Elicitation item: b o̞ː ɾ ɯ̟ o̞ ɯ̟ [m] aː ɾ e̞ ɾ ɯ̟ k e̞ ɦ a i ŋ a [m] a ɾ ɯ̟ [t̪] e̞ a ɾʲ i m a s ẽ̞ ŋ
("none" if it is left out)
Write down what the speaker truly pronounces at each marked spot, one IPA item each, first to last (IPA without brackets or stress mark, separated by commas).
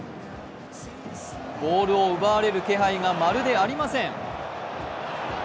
b, m, d̪